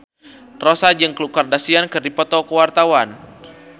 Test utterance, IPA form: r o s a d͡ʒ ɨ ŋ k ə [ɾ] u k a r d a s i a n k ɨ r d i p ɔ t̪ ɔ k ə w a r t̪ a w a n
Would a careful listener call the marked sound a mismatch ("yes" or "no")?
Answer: yes